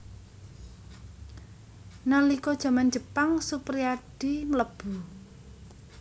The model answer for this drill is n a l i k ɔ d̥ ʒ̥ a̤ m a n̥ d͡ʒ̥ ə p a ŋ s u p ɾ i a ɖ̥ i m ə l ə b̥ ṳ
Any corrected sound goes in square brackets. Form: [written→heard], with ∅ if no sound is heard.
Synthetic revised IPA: n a l i k ɔ d̥ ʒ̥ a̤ m a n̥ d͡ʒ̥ ə p a ŋ s u p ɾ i a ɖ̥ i m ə l ə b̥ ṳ